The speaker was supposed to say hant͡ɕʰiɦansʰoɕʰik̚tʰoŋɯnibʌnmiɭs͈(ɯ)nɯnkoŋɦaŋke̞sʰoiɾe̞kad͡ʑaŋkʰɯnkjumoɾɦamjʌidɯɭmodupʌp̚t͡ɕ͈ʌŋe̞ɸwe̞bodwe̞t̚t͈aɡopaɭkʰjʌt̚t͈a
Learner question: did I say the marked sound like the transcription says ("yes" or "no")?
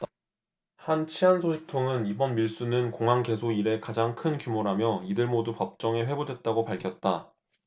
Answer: no